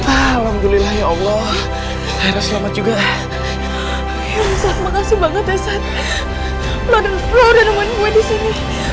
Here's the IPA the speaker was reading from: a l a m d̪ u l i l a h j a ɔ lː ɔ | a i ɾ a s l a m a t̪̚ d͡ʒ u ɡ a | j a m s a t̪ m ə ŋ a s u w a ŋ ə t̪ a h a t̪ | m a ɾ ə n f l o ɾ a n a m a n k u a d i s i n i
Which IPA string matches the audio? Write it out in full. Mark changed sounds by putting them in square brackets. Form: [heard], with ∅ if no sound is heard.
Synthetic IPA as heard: a l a m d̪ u l i l a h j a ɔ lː ɔ | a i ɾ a s l a m a t̪̚ d͡ʒ u ɡ a | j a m s a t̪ m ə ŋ a s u [b] a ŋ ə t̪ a [s] a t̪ | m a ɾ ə n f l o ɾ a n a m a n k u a d i s i n i